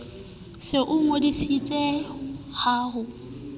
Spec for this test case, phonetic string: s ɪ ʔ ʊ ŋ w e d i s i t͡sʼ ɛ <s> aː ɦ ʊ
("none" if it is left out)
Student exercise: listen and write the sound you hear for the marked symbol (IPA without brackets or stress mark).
h